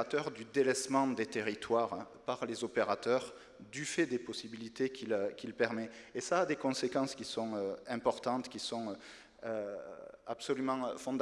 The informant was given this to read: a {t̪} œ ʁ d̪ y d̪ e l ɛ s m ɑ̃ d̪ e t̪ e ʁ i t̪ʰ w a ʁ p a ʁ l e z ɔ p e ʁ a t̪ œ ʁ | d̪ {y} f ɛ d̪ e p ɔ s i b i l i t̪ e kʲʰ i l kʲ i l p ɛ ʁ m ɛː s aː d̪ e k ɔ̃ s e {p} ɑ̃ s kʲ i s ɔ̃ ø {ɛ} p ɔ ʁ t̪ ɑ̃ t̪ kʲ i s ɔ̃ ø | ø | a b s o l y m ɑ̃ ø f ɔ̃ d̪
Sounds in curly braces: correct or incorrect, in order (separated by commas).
correct, correct, incorrect, incorrect